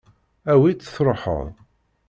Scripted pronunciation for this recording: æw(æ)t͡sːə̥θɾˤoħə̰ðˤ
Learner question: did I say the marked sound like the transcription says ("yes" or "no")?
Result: no